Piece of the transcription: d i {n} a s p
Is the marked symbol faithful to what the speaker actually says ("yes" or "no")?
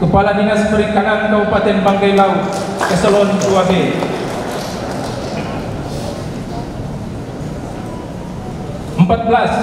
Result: no